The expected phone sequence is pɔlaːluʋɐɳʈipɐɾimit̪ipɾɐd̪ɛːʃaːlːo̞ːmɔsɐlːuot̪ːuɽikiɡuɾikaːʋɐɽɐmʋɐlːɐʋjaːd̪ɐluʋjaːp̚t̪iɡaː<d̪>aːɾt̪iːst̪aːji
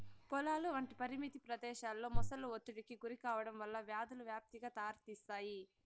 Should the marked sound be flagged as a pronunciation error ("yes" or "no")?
yes